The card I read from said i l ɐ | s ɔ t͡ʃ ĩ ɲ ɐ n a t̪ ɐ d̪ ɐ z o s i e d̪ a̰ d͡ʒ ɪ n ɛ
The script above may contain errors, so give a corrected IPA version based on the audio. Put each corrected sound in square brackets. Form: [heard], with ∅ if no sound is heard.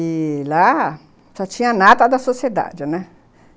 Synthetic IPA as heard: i l [a] | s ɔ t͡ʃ ĩ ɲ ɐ n a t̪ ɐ d̪ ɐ [s] o s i e d̪ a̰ d͡ʒ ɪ n ɛ